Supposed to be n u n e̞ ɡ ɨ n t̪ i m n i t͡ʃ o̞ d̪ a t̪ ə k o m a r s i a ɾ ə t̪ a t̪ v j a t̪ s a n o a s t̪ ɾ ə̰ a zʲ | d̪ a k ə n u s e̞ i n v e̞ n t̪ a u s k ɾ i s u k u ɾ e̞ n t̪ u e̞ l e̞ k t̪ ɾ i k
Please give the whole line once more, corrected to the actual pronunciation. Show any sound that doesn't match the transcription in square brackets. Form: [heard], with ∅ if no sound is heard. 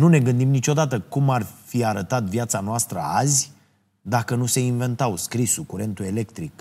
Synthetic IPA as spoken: n u n e̞ ɡ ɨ n [d̪] i m n i t͡ʃ o̞ d̪ a t̪ ə k [u] m a r [f] i a ɾ ə t̪ a t̪ v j a t̪ s a n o a s t̪ ɾ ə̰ a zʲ | d̪ a k ə n u s e̞ i n v e̞ n t̪ a [w] s k ɾ i s u k u ɾ e̞ n t̪ u e̞ l e̞ k t̪ ɾ i k